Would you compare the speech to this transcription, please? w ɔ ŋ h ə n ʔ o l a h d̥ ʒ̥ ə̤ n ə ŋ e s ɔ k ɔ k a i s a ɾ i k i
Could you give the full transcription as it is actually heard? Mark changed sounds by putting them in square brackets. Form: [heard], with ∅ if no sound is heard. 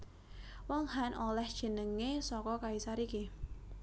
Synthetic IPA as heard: w ɔ ŋ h [a] n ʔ o l [ɛ] h d̥ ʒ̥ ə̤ n ə ŋ e s ɔ k ɔ k a i s a ɾ i k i